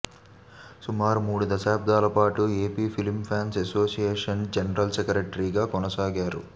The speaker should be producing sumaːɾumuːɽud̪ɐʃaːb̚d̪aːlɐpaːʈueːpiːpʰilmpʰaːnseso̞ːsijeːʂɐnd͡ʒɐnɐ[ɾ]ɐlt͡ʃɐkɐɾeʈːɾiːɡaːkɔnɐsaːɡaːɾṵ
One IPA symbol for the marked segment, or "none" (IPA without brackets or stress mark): ɾ